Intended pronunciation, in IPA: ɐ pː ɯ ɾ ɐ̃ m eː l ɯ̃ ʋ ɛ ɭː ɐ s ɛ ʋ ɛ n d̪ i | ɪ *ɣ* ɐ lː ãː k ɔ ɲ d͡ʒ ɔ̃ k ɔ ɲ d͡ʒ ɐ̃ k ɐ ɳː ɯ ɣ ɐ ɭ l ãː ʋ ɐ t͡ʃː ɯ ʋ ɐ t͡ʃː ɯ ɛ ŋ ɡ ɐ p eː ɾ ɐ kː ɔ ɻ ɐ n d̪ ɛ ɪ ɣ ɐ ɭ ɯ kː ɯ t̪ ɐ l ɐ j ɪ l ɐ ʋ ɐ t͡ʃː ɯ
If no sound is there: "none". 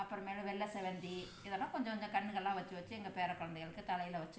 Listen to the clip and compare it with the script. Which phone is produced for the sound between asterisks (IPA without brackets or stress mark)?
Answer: ð